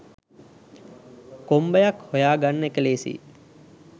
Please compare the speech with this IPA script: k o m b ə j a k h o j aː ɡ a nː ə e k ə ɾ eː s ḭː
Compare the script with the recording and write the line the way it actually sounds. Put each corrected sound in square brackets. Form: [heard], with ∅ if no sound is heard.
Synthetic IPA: k o m b ə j a k h o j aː ɡ a nː ə e k ə [l] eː s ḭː